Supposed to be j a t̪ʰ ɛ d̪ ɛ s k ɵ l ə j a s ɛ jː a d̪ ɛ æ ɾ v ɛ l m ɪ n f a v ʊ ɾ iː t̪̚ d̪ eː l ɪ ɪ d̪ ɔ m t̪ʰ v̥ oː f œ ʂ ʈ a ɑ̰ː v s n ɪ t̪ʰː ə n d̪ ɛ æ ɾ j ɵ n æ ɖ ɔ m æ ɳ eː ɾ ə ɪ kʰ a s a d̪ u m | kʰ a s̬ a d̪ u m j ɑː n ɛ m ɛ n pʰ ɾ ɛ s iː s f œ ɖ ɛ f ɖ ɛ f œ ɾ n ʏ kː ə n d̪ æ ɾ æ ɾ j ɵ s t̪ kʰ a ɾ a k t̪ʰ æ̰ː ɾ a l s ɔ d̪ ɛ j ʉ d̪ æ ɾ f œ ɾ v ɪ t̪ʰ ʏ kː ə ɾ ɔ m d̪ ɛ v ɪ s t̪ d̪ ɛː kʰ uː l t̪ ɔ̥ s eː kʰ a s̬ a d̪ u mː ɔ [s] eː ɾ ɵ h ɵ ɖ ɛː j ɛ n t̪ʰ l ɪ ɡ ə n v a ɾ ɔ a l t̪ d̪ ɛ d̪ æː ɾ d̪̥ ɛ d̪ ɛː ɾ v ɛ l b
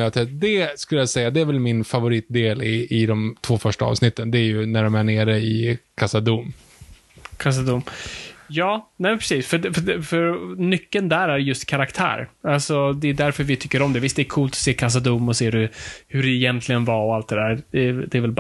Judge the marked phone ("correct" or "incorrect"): correct